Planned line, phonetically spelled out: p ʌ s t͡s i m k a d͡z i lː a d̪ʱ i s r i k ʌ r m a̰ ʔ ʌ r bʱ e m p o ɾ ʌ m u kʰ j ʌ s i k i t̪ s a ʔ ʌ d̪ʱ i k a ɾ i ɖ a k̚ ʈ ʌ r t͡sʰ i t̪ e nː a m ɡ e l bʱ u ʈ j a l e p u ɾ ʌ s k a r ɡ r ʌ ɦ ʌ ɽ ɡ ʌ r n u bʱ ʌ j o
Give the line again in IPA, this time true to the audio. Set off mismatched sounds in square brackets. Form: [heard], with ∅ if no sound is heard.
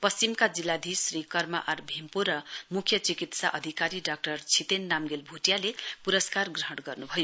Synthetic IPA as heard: p ʌ s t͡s i m k a d͡z i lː a d̪ʱ i s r i k ʌ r m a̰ ʔ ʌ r bʱ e m p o ɾ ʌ m u kʰ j ʌ [t͡s] i k i t̪ s a ʔ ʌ d̪ʱ i k a ɾ i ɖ a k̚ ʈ ʌ r t͡sʰ i t̪ e nː a m ɡ e l bʱ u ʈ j a l e p u ɾ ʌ s k a r ɡ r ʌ ɦ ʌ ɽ ɡ ʌ r n u bʱ ʌ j o

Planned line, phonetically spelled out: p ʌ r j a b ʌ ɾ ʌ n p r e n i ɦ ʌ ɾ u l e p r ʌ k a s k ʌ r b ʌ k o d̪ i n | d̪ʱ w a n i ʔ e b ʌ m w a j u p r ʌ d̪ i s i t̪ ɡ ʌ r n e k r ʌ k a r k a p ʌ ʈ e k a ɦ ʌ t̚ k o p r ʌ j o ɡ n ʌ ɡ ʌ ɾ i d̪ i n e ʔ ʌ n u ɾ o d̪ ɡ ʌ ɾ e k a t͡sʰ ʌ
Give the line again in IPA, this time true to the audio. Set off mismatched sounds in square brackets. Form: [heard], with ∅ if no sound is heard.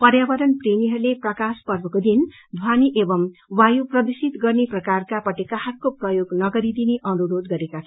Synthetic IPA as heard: p ʌ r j a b ʌ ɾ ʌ n p r e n i ɦ ʌ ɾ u l e p r ʌ k a s [p] ʌ r b ʌ k o d̪ i n | d̪ʱ w a n i ʔ e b ʌ m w a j u p r ʌ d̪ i s i t̪ ɡ ʌ r n e [p] r ʌ k a r k a p ʌ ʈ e k a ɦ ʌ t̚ k o p r ʌ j o ɡ n ʌ ɡ ʌ ɾ i d̪ i n e ʔ ʌ n u ɾ o d̪ ɡ ʌ ɾ e k a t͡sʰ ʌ

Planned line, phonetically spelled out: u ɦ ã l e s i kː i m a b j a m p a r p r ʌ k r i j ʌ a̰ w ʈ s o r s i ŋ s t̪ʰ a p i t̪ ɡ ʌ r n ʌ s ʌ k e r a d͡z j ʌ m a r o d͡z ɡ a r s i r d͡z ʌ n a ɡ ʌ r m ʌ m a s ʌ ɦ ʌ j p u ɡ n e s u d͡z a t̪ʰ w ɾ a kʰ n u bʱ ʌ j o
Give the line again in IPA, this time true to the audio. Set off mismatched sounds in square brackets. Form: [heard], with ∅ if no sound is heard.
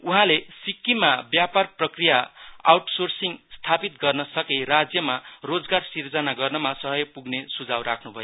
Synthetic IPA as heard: u ɦ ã l e s i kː i m a b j a [∅] p a r p r ʌ k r i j [a] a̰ w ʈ s o r s i ŋ s t̪ʰ a p i t̪ ɡ ʌ r n ʌ s ʌ k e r a d͡z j ʌ m a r o d͡z ɡ a r s i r d͡z ʌ n a ɡ ʌ r [n] ʌ m a s ʌ ɦ ʌ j p u ɡ n e s u d͡z a [∅] w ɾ a kʰ n u bʱ ʌ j o

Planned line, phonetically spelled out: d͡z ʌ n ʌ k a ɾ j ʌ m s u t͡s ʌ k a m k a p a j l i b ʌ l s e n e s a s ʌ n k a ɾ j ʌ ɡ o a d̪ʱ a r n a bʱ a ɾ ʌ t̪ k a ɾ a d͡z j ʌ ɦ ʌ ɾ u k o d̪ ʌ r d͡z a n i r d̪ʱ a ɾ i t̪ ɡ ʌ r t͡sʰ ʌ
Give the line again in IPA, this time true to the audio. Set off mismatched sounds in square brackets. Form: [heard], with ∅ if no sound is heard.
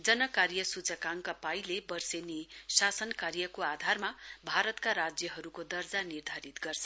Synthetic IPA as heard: d͡z ʌ n ʌ k a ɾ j ʌ [∅] s u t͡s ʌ k a [ŋ] k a p a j l [e] b ʌ [r] s e n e s a s ʌ n k a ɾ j ʌ [k] o a d̪ʱ a r [m] a bʱ a ɾ ʌ t̪ k a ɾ a d͡z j ʌ ɦ ʌ ɾ u k o d̪ ʌ r d͡z a n i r d̪ʱ a ɾ i t̪ ɡ ʌ r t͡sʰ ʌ

